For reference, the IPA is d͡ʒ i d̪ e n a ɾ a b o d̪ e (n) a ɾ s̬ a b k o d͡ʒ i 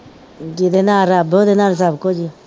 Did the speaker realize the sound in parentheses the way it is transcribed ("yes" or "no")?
yes